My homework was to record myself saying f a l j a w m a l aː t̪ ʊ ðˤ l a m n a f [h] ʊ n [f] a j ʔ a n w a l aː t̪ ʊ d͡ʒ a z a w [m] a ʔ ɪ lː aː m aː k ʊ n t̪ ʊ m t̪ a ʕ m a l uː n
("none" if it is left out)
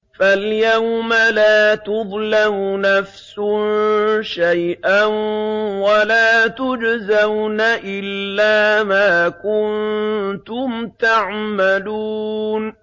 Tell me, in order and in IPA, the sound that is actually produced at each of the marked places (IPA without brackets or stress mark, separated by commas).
s, ʃ, n